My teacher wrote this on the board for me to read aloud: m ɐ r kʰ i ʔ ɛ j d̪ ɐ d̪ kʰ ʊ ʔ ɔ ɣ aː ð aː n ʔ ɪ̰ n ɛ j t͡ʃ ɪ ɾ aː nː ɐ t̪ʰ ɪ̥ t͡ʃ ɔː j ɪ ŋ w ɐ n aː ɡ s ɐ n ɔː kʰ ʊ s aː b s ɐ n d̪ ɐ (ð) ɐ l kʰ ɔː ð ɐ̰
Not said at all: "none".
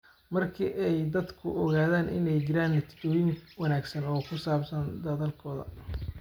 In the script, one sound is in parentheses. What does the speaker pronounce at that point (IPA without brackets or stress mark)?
ð